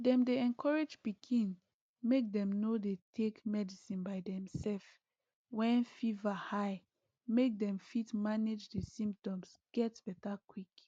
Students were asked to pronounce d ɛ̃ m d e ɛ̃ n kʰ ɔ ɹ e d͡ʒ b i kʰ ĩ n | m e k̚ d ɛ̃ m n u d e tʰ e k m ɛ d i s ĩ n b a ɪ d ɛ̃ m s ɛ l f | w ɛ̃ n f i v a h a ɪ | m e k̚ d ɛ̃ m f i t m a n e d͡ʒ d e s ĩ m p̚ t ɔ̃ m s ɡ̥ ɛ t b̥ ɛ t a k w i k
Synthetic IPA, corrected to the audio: d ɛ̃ m d e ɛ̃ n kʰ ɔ ɹ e d͡ʒ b i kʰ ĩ n | m e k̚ d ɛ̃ m n o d e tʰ e k m ɛ d i s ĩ n b a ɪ d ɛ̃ m s ɛ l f | w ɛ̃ n f i v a h a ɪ | m e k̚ d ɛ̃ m f i t m a n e d͡ʒ d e s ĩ m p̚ t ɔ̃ m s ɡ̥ ɛ t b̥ ɛ t a k w i k